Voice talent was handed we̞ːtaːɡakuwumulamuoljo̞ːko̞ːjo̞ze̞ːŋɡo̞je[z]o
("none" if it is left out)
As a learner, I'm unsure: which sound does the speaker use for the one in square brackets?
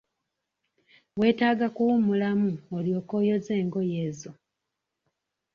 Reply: z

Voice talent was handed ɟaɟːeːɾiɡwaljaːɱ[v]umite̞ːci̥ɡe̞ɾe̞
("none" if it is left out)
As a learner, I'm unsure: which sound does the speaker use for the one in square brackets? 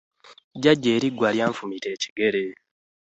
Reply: f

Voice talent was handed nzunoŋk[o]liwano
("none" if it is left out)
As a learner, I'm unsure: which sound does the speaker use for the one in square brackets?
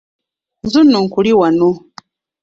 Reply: u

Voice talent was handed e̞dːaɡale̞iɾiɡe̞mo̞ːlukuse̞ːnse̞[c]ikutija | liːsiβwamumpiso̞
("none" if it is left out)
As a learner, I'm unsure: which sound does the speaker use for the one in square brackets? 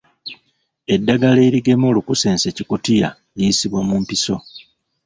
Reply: c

